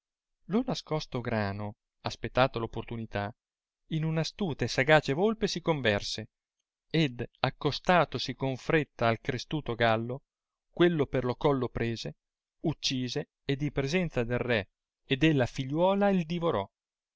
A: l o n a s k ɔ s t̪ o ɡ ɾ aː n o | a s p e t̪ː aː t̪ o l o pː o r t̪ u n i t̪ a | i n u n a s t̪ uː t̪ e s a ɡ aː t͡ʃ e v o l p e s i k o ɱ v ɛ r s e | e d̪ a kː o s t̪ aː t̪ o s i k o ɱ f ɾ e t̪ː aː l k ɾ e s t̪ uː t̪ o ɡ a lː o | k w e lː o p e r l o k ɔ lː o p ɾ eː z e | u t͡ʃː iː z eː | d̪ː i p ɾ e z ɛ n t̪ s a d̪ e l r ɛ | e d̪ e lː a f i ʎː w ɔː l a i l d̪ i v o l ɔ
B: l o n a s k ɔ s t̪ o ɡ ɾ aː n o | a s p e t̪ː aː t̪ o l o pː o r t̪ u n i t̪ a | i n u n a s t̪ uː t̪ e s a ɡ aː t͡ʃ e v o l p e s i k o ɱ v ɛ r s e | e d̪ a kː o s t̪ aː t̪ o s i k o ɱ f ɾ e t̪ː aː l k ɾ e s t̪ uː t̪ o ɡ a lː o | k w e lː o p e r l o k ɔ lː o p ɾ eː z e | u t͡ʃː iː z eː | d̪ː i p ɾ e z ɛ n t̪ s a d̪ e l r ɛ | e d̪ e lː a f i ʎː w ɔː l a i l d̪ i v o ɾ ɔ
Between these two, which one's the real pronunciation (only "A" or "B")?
B